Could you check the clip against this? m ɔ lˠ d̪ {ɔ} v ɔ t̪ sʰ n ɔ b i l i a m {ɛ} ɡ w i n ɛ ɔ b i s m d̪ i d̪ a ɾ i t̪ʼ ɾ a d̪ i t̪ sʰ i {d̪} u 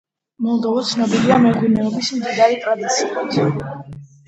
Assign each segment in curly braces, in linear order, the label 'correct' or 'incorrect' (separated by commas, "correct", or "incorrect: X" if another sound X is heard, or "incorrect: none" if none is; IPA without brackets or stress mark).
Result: correct, correct, incorrect: none